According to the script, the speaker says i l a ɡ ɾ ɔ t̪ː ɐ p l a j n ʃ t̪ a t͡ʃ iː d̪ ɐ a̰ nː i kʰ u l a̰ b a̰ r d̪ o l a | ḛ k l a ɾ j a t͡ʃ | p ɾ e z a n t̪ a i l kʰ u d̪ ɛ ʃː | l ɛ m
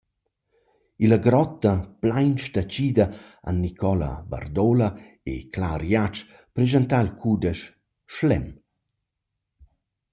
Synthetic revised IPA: i l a ɡ ɾ ɔ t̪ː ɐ p l a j n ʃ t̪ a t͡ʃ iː d̪ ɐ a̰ nː i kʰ ɔ l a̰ b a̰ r d̪ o l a | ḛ k l a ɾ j a t͡ʃ | p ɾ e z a n t̪ a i l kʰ u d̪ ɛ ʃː | l ɛ m